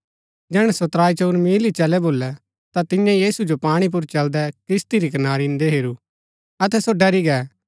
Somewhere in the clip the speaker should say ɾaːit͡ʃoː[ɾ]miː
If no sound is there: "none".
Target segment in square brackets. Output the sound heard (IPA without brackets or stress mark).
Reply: ɾ